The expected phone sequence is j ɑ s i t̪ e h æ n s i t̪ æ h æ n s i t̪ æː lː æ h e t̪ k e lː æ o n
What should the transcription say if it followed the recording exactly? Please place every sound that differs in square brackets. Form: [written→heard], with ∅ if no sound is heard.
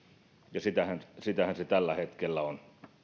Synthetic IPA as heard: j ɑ s i t̪ [e→æ] h æ n s i t̪ æ h æ n s [i→e] t̪ [æː→æ] lː æ h e t̪ k e lː æ o n